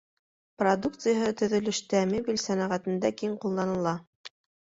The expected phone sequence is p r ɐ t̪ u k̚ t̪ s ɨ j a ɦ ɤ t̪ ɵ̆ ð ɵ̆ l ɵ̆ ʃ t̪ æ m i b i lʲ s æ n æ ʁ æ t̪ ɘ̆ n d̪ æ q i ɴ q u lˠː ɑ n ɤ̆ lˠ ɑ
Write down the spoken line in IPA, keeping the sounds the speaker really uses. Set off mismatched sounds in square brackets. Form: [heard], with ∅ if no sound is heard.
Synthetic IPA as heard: p r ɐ [d̪] u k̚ t̪ s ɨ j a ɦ ɤ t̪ ɵ̆ ð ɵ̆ l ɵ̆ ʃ t̪ æ m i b i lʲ s æ n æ ʁ æ t̪ ɘ̆ n d̪ æ [k] i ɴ q u lˠː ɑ n ɤ̆ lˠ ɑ